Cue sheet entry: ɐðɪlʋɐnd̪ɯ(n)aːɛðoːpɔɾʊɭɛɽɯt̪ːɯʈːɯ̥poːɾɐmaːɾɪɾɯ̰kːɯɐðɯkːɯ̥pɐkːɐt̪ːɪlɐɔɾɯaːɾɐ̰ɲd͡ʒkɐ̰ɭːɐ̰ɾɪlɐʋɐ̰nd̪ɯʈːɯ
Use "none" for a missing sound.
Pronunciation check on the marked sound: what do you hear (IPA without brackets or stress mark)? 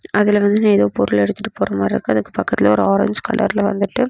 n